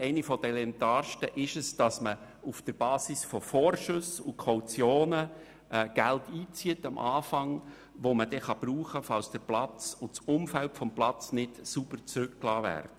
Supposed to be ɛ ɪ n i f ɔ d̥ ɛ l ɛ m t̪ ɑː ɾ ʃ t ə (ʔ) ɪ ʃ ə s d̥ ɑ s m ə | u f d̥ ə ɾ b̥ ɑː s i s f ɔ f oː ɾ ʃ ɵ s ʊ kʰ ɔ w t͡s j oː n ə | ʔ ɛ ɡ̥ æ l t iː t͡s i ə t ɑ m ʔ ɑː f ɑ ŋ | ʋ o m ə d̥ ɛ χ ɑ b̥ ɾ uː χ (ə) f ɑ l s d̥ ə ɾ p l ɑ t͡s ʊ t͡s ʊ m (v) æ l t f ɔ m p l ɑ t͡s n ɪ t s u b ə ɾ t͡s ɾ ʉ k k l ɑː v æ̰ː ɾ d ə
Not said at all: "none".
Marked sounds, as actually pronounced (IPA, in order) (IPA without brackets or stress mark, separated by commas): ʔ, ə, f